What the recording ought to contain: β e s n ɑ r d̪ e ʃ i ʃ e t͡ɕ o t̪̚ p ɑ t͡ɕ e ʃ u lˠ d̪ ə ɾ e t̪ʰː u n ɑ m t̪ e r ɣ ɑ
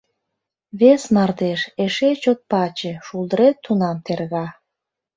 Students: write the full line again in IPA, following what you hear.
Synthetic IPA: β e s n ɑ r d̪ e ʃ e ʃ e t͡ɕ o t̪̚ p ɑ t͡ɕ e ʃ u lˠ d̪ ə ɾ e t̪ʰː u n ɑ m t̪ e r ɣ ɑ